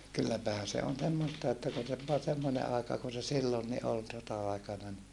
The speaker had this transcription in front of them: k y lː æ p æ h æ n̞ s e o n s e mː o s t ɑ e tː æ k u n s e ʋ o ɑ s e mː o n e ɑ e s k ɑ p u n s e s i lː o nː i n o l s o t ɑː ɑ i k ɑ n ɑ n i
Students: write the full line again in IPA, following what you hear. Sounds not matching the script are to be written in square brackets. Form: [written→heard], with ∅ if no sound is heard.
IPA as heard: k y lː æ p æ h æ n̞ s e o n s e mː o s t ɑ e tː æ k u n s e ʋ o ɑ s e mː o n e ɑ e [s→∅] k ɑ [p→k] u n s e s i lː o nː i [n→∅] o l s o t [ɑː→ɑ] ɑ i k ɑ n ɑ n i